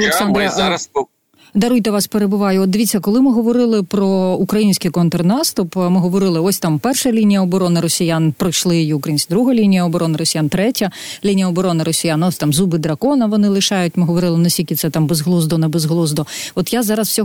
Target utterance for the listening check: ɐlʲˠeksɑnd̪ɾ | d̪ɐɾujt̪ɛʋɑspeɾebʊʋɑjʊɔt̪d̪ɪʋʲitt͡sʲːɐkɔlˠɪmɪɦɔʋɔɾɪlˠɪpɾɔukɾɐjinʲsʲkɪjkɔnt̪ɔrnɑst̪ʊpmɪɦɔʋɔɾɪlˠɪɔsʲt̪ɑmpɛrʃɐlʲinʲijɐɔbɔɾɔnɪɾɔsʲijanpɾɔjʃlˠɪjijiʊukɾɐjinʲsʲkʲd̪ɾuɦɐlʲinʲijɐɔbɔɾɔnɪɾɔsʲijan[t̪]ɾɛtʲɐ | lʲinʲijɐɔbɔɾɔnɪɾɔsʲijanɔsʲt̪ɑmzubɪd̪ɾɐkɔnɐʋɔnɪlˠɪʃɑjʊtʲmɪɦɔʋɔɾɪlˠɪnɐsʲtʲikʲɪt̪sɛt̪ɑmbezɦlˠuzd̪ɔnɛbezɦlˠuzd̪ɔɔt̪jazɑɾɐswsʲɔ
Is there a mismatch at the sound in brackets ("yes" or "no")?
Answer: no